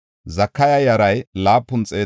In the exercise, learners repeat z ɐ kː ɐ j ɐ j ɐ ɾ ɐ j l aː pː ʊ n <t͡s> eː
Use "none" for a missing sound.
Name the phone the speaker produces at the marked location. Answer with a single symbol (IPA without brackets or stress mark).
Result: t͡sʼ